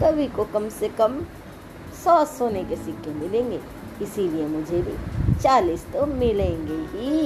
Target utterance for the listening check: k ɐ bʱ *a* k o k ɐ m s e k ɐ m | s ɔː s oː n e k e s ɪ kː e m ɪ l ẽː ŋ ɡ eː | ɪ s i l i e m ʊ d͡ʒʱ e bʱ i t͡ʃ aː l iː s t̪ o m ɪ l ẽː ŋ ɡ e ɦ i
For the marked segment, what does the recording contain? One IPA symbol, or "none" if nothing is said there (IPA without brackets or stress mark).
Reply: i